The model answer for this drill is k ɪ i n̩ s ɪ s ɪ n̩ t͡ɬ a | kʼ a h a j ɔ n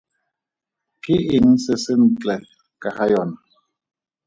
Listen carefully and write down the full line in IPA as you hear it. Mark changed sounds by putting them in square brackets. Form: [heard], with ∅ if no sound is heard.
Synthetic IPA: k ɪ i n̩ s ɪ s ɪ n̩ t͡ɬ [ɛ] | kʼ a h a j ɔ n